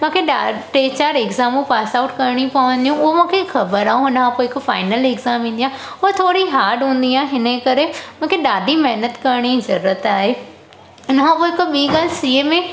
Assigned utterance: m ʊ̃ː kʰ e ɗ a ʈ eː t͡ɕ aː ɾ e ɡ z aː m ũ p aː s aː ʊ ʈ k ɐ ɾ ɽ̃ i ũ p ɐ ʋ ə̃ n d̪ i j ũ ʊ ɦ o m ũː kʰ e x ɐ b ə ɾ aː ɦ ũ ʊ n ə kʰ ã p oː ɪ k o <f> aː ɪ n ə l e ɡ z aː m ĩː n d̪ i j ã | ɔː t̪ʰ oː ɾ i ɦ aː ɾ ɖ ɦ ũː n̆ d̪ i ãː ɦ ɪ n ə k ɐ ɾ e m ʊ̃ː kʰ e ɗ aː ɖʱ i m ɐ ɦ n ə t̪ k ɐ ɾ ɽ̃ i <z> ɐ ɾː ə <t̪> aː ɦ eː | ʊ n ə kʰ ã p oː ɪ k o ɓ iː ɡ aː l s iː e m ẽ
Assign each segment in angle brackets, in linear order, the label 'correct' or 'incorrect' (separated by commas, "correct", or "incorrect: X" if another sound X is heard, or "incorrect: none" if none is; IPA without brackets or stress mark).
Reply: correct, correct, correct